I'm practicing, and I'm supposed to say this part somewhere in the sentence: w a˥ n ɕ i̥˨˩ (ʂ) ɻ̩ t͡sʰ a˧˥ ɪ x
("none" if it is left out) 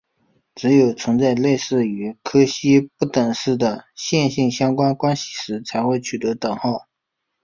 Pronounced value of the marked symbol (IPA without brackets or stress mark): ʂ